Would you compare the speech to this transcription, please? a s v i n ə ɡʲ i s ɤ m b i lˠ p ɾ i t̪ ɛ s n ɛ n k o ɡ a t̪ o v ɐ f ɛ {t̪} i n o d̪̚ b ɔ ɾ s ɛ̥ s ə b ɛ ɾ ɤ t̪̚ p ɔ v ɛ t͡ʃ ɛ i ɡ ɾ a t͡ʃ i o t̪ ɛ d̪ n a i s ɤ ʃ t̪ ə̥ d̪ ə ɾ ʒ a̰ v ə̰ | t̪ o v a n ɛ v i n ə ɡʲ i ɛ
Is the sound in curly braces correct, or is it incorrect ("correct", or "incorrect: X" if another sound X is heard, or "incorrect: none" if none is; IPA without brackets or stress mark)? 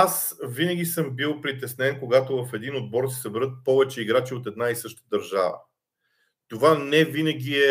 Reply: incorrect: d̪